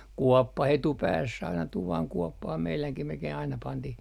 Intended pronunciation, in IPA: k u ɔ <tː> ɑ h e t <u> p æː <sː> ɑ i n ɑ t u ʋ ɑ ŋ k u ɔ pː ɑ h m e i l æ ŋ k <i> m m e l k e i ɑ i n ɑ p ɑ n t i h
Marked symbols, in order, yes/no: no, yes, yes, yes

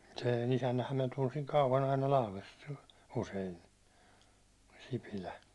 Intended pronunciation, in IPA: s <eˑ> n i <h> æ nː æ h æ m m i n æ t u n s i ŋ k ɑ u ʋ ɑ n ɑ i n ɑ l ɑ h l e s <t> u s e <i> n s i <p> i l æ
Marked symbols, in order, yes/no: yes, no, yes, yes, yes

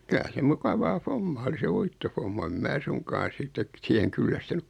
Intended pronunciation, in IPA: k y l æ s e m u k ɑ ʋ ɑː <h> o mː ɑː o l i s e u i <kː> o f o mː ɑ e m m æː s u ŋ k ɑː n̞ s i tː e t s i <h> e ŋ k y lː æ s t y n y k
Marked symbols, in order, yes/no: no, no, yes

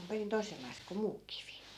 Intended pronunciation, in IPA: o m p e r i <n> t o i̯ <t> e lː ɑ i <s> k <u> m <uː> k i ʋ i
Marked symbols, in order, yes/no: yes, no, yes, no, yes

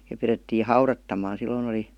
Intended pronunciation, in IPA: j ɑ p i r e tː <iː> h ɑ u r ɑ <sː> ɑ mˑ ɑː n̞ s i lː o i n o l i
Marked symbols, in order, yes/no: yes, no

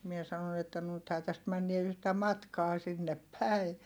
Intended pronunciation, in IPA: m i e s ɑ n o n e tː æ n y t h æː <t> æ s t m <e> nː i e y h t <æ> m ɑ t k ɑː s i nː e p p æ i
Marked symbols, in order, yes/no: yes, no, yes

